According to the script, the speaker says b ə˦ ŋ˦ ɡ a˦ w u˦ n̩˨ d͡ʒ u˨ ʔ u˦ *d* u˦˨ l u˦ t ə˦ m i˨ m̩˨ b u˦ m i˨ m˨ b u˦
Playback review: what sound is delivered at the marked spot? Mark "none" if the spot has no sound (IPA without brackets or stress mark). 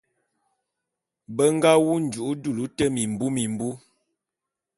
d